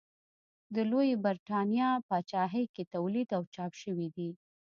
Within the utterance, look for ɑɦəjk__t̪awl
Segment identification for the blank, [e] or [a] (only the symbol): e